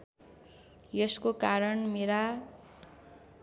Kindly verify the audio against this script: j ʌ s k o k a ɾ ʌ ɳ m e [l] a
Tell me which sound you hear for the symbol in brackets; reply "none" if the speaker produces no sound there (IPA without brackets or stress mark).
ɾ